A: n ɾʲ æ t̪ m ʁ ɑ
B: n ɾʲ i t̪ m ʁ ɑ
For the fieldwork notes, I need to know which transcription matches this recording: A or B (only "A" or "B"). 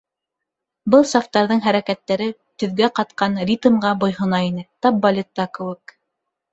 B